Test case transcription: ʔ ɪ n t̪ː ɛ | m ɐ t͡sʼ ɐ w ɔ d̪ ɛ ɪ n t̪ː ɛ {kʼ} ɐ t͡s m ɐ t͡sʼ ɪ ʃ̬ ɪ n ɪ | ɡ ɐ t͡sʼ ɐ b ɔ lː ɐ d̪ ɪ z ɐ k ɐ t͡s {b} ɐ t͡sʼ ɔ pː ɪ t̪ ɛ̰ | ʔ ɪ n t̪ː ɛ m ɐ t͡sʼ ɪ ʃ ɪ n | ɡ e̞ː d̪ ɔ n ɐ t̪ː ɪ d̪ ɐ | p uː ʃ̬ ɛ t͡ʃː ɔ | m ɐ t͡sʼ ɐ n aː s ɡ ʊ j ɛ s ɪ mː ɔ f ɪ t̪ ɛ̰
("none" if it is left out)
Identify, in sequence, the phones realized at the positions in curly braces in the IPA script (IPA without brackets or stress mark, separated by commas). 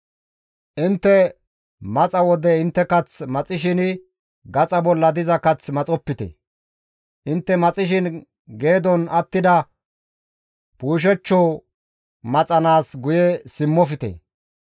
k, m